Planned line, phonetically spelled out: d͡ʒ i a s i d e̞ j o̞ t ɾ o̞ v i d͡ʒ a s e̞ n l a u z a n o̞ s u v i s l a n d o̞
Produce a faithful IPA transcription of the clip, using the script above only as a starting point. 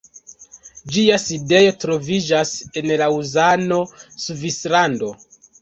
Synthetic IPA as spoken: d͡ʒ i a s i d e̞ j o̞ t ɾ o̞ v i d͡ʒ a s e̞ n l a u z a n o̞ s u v i s l a n d o̞